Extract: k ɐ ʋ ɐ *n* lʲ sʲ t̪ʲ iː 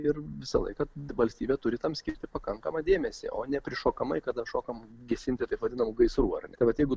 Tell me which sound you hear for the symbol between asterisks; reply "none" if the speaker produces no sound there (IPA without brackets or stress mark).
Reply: none